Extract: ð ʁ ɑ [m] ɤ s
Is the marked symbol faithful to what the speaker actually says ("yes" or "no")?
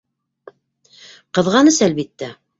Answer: no